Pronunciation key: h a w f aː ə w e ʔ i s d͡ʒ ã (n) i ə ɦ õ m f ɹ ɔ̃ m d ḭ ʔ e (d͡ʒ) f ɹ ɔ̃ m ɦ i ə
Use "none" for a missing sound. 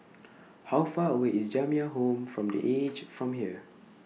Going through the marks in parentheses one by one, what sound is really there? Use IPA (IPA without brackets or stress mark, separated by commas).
m, d͡ʒ